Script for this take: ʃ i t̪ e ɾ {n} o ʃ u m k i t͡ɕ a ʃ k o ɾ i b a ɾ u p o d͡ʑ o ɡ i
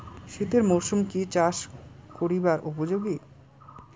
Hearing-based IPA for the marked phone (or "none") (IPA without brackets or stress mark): m